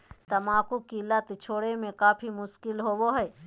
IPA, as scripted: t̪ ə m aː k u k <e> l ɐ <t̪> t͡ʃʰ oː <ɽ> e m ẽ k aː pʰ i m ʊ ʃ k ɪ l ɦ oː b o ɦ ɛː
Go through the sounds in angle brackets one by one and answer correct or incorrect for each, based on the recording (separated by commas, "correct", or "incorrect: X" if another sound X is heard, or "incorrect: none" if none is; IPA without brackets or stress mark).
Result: incorrect: i, correct, correct